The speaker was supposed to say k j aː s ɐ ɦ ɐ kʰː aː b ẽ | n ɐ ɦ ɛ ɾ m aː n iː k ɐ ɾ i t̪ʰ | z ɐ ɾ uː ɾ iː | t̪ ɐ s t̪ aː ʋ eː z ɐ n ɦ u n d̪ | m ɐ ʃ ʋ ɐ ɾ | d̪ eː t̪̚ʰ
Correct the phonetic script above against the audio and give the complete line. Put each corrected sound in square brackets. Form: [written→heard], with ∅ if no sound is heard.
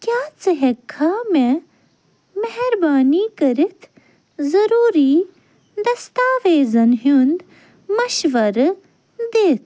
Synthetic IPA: k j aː [s→t͡s] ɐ ɦ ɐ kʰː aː [b→m] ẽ | [n→m] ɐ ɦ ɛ ɾ [m→b] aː n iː k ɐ ɾ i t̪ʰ | z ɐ ɾ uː ɾ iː | [t̪→d̪] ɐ s t̪ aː ʋ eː z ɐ n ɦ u n d̪ | m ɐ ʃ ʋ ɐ ɾ | d̪ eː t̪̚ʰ

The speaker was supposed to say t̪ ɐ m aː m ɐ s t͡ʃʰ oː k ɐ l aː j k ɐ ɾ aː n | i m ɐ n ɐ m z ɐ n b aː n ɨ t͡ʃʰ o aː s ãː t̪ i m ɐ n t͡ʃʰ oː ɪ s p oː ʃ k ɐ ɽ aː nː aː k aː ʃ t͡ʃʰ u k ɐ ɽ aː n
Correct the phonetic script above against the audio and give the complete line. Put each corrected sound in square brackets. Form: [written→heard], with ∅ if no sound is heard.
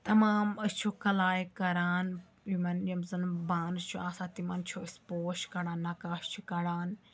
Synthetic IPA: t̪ ɐ m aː m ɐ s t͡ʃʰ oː k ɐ l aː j k ɐ ɾ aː n | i m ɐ n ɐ m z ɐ n b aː n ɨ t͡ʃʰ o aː s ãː t̪ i m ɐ n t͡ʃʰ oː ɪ s p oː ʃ k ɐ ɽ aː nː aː k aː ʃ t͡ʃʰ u k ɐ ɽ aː n

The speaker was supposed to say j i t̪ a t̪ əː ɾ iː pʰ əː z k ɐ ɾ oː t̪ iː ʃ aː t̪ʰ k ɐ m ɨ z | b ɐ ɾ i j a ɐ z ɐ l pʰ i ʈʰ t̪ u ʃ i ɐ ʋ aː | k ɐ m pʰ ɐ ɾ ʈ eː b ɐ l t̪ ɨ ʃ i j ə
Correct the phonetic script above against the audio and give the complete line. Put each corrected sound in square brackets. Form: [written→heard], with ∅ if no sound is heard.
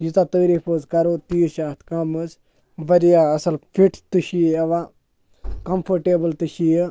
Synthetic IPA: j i t̪ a t̪ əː ɾ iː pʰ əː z k ɐ ɾ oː t̪ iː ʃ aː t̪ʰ k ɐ m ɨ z | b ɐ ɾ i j a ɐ [z→s] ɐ l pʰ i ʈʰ t̪ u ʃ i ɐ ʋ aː | k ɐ m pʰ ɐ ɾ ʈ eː b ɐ l t̪ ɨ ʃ i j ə

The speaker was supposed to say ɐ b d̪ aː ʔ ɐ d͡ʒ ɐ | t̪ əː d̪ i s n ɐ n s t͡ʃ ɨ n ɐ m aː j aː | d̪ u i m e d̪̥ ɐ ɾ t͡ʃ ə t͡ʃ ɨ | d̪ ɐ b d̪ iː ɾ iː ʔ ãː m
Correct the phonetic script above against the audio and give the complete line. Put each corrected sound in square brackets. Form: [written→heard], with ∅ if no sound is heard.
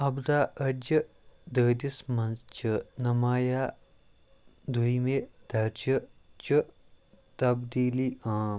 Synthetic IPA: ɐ b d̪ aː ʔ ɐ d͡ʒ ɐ | [t̪→d̪] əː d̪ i s [n→m] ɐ n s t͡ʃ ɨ n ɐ m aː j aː | d̪ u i m e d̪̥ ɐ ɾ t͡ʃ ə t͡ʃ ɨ | [d̪→t̪] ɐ b d̪ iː [ɾ→l] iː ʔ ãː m

